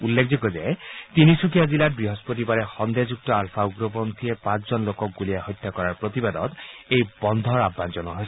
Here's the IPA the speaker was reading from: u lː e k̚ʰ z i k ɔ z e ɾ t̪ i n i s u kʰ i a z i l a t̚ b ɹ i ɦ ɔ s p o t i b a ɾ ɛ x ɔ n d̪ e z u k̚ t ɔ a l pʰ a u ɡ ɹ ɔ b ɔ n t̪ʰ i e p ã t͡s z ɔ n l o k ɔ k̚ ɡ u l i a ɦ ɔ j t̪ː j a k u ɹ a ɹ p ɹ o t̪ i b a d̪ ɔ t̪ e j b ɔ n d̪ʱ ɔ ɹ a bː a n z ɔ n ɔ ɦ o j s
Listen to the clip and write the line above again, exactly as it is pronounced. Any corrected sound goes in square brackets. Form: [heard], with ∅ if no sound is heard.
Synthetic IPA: u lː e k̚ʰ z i k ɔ z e [∅] t̪ i n i s u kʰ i a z i l a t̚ b ɹ i ɦ ɔ s p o t i b a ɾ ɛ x ɔ n d̪ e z u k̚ t ɔ a l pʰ a u ɡ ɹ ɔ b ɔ n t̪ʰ i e p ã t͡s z ɔ n l o k ɔ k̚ ɡ u l i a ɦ ɔ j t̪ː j a k [ɔ] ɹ a ɹ p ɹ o t̪ i b a d̪ ɔ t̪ e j b ɔ n d̪ʱ ɔ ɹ a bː a n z ɔ n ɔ ɦ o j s